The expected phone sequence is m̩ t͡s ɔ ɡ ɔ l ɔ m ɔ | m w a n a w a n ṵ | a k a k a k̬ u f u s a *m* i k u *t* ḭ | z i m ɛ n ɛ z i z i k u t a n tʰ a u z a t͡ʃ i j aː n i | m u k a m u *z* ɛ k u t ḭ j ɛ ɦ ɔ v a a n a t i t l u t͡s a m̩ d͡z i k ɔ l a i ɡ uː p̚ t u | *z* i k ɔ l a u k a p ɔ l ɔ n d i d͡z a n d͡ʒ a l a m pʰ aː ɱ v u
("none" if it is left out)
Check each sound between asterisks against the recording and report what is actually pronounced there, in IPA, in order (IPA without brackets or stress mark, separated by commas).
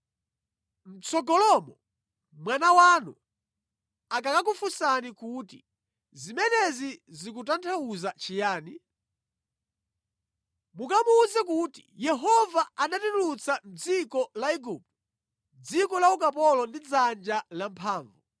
n, t, z, d͡z